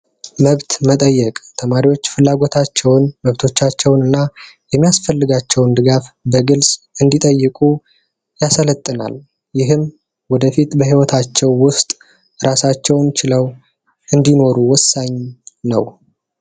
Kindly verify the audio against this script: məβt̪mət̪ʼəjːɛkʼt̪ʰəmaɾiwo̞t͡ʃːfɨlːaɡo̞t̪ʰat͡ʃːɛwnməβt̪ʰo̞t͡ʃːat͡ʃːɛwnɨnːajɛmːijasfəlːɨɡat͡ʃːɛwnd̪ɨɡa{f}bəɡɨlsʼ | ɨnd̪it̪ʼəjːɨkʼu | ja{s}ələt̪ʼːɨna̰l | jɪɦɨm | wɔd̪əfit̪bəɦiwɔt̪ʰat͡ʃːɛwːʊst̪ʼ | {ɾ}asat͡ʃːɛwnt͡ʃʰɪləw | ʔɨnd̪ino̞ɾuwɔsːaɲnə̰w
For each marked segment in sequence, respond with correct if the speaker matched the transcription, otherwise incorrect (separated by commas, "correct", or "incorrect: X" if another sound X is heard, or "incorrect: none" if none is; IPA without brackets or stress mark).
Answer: correct, correct, correct